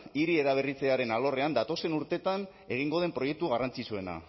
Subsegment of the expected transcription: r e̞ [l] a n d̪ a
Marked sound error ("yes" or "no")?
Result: yes